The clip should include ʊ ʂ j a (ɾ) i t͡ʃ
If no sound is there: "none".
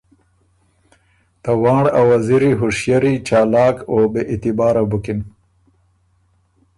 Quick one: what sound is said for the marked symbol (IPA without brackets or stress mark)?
ɾ